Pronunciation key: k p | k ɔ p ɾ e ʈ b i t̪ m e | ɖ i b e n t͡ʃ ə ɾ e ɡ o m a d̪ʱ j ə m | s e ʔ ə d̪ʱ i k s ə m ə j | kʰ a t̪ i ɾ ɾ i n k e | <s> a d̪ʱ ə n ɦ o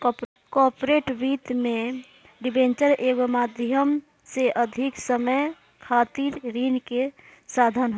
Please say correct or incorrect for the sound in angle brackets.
correct